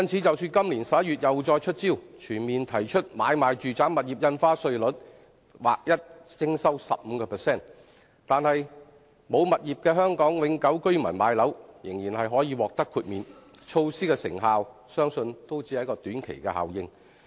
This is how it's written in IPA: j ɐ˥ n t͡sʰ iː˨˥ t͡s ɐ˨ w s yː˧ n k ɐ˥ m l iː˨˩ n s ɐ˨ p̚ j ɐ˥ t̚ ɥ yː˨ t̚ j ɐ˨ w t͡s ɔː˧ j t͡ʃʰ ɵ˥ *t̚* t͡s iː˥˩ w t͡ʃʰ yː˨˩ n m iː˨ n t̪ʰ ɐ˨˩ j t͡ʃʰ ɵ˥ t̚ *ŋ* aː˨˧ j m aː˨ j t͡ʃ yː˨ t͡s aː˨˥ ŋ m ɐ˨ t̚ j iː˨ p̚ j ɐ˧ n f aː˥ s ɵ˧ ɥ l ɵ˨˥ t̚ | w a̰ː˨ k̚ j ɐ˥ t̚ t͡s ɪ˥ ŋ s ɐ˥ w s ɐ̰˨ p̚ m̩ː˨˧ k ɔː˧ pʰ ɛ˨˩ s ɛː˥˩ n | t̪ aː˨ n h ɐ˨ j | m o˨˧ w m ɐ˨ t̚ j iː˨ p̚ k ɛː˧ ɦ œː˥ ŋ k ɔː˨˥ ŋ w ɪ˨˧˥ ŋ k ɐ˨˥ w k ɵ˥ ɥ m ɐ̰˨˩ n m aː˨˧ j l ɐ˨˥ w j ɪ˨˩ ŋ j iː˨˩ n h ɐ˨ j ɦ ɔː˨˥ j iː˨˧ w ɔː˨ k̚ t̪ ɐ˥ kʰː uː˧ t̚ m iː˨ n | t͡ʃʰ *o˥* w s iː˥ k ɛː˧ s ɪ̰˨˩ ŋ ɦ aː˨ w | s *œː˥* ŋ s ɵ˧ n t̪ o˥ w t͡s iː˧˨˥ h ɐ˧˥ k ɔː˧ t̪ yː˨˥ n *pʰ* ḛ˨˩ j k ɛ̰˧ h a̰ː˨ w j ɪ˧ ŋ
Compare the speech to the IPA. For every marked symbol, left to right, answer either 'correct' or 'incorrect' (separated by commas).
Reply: correct, incorrect, incorrect, correct, incorrect